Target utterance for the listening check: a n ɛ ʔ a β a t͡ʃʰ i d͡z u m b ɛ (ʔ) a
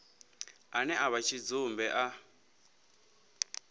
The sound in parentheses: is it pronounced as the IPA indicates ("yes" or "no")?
yes